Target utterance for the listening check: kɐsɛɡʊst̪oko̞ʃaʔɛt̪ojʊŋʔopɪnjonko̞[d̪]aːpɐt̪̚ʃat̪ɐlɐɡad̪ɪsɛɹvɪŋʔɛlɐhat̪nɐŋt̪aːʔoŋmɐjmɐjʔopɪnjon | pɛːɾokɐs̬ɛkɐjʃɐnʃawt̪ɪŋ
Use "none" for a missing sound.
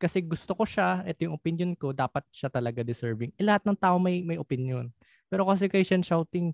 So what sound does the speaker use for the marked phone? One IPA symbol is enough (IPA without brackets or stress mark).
d̪